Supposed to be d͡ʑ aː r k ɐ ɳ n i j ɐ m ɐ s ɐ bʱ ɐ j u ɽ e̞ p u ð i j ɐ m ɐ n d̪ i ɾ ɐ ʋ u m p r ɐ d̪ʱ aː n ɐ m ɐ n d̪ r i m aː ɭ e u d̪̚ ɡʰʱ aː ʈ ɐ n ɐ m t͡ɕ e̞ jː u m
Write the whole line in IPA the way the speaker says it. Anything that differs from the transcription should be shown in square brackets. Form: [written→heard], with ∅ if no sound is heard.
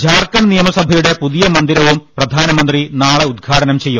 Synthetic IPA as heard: d͡ʑ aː r k ɐ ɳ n i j ɐ m ɐ s ɐ bʱ ɐ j u ɽ e̞ p u ð i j ɐ m ɐ n d̪ i ɾ ɐ ʋ u m p r ɐ d̪ʱ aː n ɐ m ɐ n d̪ r i [m→n] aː ɭ e u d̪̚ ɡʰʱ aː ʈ ɐ n ɐ m t͡ɕ e̞ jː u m